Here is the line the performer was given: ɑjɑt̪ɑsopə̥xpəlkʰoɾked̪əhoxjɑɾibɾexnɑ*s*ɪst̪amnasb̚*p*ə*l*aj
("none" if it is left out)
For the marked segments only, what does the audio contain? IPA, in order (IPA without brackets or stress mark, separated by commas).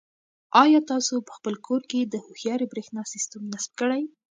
s, k, ɽ